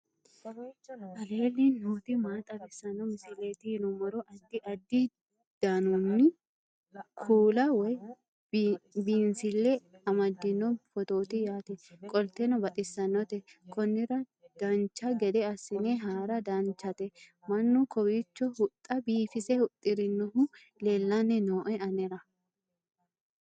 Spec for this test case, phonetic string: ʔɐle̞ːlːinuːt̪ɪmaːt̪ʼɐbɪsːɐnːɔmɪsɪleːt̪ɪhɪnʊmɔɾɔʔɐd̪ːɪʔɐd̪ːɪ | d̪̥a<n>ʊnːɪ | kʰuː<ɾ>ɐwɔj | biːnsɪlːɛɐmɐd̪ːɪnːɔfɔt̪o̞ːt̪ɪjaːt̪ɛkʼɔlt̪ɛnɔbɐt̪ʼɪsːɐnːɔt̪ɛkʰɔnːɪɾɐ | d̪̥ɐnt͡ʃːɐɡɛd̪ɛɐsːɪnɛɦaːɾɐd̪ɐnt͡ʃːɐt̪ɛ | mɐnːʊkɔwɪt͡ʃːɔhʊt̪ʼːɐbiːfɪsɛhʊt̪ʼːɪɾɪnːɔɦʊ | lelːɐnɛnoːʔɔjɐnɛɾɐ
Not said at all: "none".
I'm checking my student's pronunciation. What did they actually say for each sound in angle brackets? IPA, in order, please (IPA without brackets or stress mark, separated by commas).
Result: n, l